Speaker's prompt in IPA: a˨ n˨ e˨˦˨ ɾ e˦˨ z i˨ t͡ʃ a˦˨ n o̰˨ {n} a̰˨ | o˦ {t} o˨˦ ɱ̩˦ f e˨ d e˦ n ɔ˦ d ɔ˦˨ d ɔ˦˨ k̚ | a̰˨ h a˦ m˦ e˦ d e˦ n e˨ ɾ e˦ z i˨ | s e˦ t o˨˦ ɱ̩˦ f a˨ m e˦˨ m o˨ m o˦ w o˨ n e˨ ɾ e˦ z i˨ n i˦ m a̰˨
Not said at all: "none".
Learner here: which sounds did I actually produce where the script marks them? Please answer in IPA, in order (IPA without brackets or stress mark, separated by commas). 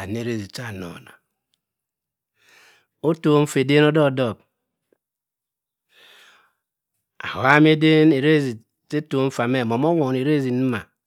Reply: n, t